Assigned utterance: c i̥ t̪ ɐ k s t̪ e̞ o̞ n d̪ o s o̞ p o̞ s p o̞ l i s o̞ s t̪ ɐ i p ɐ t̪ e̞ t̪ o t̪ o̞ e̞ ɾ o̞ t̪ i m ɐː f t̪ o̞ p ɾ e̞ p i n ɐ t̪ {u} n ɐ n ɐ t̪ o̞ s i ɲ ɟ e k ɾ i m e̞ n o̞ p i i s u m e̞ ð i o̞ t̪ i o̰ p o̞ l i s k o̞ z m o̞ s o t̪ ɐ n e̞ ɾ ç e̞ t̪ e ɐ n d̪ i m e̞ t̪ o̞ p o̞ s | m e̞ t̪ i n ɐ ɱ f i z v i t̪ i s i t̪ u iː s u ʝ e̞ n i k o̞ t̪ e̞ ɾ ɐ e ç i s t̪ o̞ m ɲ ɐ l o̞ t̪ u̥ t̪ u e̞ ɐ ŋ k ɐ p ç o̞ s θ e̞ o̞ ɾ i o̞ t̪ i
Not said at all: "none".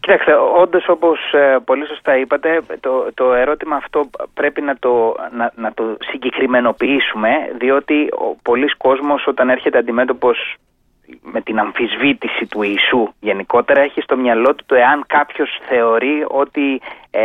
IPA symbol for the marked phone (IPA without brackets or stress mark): o